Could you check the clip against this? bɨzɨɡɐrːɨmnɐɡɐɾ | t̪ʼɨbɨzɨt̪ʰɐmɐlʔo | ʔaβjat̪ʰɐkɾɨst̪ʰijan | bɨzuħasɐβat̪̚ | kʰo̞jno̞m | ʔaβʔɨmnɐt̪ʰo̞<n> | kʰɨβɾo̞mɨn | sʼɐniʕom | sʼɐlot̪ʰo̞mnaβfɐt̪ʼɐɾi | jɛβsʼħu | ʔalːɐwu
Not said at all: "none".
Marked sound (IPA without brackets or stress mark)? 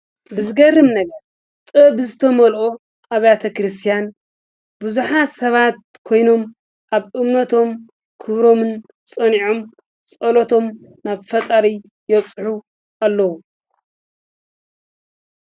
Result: m